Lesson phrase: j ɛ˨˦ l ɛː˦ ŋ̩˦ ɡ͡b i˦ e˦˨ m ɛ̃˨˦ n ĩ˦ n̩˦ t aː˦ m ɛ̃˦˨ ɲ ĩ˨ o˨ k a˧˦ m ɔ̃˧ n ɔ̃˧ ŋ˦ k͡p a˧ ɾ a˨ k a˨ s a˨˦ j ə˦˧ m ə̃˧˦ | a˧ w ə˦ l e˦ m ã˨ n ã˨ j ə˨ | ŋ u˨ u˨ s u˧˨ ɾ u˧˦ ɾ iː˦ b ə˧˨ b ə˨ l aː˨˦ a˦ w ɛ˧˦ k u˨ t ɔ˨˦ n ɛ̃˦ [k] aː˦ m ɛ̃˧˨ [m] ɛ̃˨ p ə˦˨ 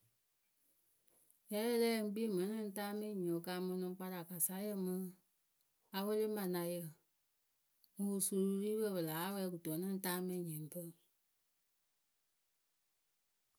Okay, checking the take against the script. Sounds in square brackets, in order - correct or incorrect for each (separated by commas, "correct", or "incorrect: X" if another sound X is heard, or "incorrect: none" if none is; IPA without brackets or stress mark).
incorrect: t, incorrect: ɲ